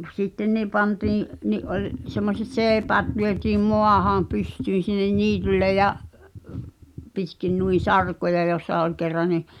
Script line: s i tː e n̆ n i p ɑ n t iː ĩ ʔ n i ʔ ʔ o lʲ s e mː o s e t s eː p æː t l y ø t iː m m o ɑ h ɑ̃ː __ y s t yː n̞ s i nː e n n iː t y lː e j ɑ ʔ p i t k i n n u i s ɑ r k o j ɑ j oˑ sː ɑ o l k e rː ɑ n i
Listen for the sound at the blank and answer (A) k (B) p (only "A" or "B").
B